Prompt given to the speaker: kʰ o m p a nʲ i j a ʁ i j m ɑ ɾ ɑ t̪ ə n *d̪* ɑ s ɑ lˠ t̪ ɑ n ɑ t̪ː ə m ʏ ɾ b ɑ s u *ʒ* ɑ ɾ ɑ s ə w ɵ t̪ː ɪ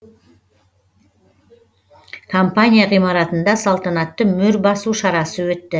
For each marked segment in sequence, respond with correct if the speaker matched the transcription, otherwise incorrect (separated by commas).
correct, incorrect